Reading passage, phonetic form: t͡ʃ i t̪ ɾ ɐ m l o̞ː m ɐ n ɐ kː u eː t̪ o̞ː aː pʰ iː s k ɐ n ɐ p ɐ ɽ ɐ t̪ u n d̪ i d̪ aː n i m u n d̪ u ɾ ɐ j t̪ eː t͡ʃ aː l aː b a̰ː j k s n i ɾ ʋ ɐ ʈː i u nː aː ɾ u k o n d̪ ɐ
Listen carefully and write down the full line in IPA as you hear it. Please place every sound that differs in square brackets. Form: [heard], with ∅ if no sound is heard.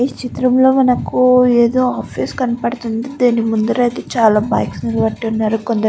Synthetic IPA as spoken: t͡ʃ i t̪ ɾ ɐ m l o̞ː m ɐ n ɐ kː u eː [d̪] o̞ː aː pʰ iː s k ɐ n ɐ p ɐ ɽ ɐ t̪ u n d̪ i d̪ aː n i m u n d̪ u ɾ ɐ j t̪ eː t͡ʃ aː l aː b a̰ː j k s n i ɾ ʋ ɐ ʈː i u nː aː ɾ u k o n d̪ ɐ